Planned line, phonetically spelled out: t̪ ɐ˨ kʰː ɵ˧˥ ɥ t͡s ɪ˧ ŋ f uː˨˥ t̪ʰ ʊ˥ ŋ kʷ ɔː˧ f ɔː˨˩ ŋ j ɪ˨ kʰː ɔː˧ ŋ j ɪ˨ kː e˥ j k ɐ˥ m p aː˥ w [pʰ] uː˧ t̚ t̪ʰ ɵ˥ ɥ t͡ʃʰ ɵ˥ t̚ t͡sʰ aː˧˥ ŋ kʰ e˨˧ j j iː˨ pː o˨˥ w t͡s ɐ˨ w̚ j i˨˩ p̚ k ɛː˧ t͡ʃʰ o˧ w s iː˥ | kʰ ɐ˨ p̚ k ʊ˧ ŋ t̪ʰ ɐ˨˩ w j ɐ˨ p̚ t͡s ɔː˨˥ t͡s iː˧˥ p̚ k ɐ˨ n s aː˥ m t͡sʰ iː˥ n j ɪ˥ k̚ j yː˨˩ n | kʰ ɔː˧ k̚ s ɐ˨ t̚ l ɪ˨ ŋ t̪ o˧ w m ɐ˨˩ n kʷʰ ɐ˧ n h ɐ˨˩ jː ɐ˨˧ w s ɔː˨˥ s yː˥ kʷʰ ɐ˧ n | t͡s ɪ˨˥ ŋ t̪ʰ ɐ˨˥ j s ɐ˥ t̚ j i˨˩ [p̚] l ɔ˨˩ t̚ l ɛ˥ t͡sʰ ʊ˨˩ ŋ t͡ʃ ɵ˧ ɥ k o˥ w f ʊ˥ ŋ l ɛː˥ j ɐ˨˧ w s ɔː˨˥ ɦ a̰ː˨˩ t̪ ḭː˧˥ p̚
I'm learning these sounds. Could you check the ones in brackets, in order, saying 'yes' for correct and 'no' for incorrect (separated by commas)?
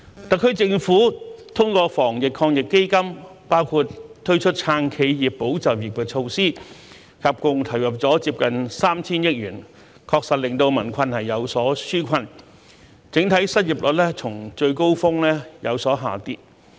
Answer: no, yes